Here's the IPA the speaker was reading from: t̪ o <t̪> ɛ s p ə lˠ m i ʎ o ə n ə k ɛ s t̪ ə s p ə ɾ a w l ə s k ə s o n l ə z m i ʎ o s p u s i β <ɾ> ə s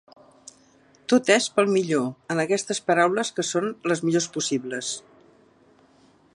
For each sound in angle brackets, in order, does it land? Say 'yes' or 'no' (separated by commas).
yes, no